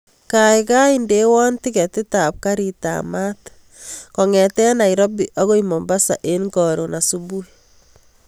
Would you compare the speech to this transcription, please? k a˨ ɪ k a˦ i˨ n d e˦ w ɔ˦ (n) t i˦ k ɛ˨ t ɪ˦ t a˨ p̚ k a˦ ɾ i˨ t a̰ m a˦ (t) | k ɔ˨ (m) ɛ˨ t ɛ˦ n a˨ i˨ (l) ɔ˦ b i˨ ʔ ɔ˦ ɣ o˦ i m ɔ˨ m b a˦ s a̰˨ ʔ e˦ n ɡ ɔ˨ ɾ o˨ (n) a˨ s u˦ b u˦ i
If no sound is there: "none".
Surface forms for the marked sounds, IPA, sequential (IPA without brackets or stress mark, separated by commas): n, t, ŋ, ɾ, n